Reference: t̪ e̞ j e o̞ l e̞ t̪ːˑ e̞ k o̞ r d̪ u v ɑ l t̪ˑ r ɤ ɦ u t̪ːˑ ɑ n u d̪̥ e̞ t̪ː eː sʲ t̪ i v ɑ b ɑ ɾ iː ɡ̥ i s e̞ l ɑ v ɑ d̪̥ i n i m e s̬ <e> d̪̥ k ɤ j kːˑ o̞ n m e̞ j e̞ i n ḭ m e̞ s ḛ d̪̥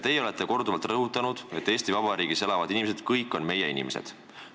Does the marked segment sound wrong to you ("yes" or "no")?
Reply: no